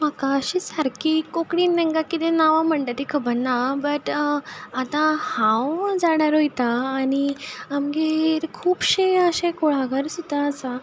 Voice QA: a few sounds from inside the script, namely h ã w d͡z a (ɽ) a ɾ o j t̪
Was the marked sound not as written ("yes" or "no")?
no